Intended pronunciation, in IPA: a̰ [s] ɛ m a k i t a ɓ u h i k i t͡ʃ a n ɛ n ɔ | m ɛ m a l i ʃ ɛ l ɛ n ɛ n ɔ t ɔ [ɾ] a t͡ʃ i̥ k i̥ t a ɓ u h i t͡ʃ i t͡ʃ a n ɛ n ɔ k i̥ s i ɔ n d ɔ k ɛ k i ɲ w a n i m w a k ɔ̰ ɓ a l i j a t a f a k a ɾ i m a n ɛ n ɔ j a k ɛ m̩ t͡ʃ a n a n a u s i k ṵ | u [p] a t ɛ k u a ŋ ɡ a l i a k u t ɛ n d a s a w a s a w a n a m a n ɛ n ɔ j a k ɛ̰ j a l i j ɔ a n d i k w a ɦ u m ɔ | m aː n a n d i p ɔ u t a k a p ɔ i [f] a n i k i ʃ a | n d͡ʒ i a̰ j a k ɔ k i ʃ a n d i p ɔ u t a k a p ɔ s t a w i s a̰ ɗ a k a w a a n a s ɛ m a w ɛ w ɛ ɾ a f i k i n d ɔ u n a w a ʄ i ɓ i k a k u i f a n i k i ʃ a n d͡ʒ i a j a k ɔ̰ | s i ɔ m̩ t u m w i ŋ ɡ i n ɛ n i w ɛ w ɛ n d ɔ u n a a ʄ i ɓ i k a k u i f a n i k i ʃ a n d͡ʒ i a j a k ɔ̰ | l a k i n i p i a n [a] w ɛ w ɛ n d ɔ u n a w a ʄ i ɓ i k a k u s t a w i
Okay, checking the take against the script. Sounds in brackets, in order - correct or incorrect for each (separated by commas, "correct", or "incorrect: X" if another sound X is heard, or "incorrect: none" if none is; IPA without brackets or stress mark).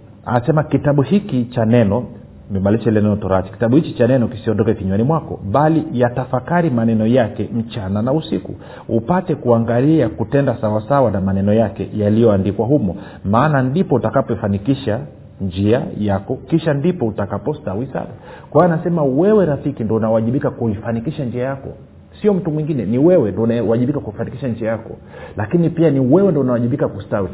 correct, correct, correct, correct, incorrect: i